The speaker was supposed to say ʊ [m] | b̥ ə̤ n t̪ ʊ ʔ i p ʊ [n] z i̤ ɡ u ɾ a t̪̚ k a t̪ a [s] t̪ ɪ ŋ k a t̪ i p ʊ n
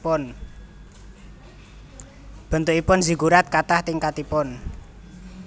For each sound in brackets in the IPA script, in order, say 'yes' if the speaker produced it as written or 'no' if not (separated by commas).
no, yes, no